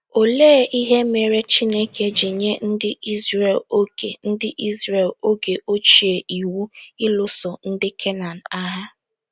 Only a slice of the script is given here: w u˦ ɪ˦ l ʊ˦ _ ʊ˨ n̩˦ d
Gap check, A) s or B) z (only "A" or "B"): A